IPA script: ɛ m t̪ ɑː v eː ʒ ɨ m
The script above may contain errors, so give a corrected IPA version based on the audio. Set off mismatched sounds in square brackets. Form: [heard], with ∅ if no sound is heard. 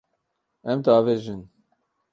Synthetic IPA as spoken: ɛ m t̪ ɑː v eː ʒ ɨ [n]